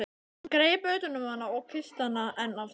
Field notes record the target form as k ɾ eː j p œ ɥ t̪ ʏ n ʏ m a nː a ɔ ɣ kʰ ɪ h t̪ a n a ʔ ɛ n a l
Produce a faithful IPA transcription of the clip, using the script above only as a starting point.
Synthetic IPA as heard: k ɾ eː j p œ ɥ t̪ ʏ n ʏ m a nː a ɔ ɣ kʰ ɪ s t̪ a n a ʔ ɛ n a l